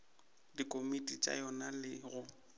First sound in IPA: d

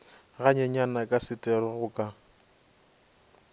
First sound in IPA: ɣ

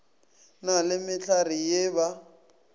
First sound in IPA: n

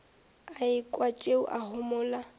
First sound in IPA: a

